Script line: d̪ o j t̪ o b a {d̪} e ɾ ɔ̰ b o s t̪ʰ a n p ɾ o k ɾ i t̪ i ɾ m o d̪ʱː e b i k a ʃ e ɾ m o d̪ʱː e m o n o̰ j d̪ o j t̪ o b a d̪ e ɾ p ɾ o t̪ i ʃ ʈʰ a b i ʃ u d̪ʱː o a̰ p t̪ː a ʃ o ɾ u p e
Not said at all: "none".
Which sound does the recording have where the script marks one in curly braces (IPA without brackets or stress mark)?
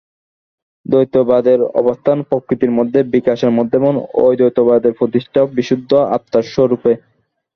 d̪